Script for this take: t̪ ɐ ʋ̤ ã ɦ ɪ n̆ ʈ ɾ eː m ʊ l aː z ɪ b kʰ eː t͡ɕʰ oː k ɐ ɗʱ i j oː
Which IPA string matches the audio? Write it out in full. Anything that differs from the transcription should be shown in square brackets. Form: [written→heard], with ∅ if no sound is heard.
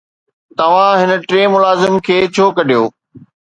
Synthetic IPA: t̪ ɐ ʋ̤ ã ɦ ɪ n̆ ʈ ɾ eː m ʊ l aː z ɪ [b→m] kʰ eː t͡ɕʰ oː k ɐ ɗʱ i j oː